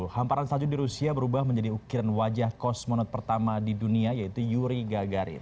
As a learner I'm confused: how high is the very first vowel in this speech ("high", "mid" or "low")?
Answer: low